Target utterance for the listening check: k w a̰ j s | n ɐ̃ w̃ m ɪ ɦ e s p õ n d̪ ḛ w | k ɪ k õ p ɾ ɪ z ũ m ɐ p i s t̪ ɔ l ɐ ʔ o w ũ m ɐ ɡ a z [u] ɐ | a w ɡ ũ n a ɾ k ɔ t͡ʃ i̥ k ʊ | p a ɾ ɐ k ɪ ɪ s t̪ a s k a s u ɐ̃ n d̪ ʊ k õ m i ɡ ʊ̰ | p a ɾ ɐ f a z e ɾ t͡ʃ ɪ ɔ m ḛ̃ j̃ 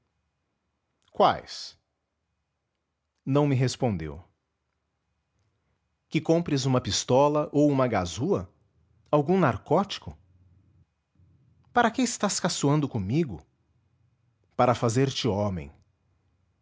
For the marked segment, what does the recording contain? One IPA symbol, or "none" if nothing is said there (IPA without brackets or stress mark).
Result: u